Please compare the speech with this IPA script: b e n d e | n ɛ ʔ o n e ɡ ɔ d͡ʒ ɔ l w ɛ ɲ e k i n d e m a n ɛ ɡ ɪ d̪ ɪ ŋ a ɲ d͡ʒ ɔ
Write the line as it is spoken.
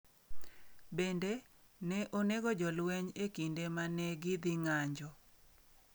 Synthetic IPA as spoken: b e n d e | n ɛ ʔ o n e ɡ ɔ d͡ʒ ɔ l w ɛ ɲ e k i n d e m a n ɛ ɡ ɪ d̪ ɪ ŋ a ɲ d͡ʒ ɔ